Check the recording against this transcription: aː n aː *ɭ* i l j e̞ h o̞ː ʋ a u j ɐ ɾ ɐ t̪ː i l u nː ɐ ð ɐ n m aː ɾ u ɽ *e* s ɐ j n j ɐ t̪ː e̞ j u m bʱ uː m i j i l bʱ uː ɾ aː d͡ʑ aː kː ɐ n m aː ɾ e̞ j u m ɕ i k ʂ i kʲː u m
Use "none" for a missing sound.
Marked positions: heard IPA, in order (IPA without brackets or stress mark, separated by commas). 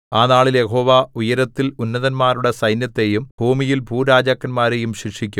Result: ɭ, e